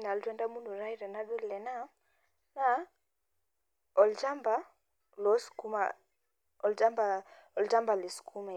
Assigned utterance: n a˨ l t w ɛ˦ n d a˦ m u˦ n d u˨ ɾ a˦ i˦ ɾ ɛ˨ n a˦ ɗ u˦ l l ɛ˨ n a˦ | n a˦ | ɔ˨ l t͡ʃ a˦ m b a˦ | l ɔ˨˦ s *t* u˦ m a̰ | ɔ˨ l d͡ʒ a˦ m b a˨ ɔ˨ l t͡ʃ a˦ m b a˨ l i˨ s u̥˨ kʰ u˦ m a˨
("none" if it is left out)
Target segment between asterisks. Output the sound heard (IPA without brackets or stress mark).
k